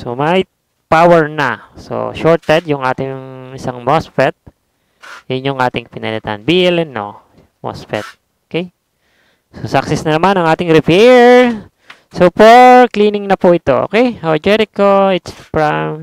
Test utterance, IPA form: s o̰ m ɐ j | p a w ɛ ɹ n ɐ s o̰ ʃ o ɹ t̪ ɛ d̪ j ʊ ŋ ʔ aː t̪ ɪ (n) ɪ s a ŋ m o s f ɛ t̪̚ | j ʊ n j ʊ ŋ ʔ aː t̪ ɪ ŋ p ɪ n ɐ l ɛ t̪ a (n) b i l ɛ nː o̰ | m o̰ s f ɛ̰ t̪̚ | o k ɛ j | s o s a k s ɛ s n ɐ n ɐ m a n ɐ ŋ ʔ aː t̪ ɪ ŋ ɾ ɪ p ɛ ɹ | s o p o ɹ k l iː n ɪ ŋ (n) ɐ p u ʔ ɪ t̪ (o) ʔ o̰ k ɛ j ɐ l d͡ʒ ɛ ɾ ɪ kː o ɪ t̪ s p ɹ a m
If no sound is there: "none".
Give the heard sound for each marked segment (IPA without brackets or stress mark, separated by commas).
ŋ, n, n, o